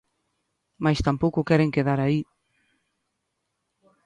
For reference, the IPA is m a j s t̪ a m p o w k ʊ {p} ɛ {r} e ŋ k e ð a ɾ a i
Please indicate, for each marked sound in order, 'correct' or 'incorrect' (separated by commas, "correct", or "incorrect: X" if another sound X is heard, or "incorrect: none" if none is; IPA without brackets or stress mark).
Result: incorrect: k, incorrect: ɾ